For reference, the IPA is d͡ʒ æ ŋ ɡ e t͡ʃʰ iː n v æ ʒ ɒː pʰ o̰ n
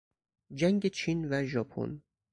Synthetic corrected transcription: d͡ʒ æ ŋ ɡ e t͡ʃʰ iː n v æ ʒ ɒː pʰ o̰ n